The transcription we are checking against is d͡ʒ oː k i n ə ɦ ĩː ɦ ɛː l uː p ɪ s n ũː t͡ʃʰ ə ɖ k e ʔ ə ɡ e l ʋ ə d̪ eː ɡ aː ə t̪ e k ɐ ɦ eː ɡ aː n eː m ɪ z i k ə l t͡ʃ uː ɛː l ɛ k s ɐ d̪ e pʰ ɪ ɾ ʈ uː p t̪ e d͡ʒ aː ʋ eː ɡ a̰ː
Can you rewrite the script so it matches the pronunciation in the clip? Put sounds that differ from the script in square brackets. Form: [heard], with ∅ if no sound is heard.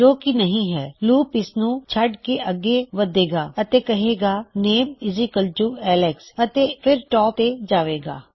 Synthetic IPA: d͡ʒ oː k i n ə ɦ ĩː ɦ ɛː l uː p ɪ s n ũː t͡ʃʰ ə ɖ k e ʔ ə ɡ e [∅] ʋ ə d̪ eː ɡ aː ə t̪ e k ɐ ɦ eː ɡ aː n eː m ɪ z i k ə l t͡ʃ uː ɛː l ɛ k s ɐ [t̪] e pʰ ɪ ɾ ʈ [ɔː] p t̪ e d͡ʒ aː ʋ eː ɡ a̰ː